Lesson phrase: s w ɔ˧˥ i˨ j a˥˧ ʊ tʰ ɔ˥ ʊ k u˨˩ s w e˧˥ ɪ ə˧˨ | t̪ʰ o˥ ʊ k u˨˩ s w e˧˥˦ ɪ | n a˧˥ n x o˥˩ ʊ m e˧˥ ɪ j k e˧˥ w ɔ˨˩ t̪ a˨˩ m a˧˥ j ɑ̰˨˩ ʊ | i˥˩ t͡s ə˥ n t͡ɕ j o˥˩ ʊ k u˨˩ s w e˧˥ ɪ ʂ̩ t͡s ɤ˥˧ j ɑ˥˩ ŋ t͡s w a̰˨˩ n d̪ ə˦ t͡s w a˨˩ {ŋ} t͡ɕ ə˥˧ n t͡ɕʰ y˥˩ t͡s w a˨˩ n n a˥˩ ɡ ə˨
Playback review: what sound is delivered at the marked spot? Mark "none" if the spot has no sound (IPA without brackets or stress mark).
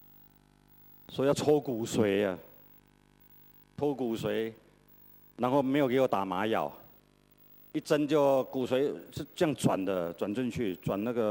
n